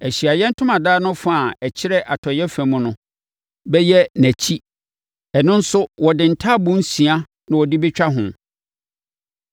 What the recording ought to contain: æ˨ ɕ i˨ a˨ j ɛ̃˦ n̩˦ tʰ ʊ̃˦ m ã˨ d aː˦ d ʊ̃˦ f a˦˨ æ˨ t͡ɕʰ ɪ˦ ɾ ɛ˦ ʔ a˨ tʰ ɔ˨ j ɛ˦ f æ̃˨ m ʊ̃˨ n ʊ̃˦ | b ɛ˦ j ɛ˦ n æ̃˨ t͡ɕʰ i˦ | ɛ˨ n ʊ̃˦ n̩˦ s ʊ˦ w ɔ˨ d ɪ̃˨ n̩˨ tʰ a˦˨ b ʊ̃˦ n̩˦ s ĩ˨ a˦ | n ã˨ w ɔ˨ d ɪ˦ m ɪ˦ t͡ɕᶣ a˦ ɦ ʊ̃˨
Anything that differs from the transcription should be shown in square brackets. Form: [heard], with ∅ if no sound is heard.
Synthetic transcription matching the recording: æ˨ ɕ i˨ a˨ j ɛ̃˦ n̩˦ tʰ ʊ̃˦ m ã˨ d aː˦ [n] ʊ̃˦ f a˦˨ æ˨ t͡ɕʰ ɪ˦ ɾ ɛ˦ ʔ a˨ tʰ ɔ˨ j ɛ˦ f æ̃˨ m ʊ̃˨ n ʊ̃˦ | b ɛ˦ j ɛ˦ n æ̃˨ t͡ɕʰ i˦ | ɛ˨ n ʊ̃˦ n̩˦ s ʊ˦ w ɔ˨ d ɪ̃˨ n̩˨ tʰ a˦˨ b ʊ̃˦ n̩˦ s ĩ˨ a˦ | n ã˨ w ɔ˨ d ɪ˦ [b] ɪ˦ t͡ɕᶣ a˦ ɦ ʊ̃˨